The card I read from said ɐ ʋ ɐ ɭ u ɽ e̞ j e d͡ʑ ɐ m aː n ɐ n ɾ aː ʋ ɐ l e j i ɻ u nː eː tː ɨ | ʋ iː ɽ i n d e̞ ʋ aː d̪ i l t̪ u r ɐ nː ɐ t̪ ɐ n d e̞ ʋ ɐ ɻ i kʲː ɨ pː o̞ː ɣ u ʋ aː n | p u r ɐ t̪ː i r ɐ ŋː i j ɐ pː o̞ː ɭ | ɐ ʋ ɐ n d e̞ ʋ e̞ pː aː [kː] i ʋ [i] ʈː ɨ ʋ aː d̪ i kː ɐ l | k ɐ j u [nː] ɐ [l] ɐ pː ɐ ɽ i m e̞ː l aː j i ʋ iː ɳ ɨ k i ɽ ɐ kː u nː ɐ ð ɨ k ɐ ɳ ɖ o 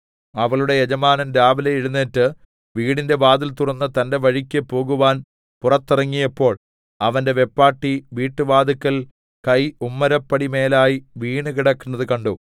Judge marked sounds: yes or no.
no, no, no, no

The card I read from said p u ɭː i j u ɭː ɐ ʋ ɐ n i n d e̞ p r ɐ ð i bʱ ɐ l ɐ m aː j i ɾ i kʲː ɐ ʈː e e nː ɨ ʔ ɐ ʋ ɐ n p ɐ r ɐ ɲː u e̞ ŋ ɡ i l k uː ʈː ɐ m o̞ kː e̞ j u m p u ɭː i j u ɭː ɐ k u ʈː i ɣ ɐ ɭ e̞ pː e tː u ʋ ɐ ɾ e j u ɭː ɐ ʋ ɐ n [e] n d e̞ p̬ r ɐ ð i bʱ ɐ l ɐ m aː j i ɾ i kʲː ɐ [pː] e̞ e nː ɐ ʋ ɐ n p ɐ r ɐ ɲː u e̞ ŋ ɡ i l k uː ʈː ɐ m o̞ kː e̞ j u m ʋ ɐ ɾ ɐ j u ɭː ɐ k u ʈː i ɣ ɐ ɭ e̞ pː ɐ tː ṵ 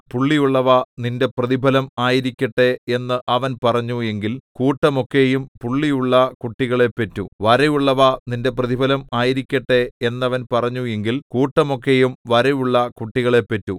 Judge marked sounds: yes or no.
no, no

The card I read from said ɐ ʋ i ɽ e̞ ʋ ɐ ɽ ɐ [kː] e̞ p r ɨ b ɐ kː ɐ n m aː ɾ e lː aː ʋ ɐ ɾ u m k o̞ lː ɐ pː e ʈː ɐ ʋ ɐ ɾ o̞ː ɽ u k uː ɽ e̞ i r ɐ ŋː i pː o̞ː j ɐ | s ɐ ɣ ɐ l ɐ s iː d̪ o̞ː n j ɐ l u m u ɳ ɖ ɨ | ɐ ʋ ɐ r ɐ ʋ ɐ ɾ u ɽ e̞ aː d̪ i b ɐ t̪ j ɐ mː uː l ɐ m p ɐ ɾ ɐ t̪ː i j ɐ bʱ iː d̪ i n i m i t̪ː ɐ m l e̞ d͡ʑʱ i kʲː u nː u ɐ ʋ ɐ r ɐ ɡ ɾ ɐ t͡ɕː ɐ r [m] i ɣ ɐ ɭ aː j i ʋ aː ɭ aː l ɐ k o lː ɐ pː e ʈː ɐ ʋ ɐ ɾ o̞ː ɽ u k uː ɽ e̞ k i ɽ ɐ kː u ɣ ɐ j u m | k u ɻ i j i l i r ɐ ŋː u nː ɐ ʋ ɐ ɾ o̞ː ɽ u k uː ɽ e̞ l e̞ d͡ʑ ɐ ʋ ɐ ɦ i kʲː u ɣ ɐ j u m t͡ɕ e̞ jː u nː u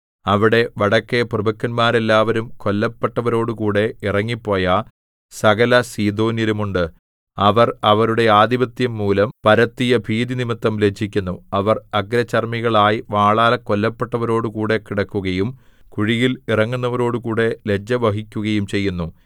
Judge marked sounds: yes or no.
yes, yes

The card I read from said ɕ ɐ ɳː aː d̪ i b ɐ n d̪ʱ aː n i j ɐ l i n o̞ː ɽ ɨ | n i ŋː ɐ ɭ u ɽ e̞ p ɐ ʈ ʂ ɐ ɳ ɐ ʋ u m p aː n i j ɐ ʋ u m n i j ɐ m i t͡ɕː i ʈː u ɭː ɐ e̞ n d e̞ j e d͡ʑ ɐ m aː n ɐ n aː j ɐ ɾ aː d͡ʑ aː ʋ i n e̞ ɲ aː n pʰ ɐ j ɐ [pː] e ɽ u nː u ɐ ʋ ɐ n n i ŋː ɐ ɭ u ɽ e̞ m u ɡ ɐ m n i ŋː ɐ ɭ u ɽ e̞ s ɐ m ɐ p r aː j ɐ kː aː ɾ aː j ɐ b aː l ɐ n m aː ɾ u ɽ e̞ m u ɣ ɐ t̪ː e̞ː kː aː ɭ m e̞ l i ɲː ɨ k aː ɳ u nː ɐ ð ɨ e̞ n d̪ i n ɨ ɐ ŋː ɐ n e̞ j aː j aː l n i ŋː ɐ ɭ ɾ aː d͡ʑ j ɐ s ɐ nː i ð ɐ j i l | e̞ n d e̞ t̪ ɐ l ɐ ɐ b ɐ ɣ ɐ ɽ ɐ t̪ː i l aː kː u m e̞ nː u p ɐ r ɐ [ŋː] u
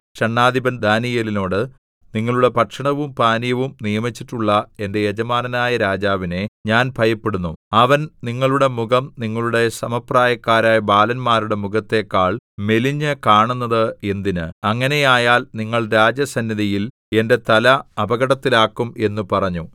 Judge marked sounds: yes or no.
yes, no

